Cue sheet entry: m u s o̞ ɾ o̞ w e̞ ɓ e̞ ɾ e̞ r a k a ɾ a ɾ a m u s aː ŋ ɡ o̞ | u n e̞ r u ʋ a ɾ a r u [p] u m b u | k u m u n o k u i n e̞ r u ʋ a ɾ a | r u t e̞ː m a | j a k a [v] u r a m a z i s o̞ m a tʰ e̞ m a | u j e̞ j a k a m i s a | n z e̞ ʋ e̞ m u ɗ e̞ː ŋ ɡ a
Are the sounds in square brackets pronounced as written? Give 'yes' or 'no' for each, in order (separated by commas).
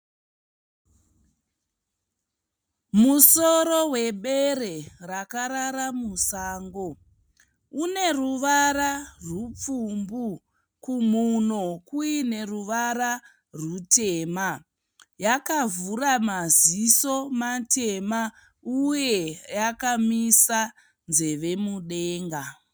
no, yes